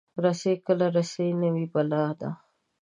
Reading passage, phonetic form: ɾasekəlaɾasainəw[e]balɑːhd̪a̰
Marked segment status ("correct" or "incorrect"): incorrect